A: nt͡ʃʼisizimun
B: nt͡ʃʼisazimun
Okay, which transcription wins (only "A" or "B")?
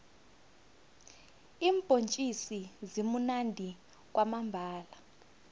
A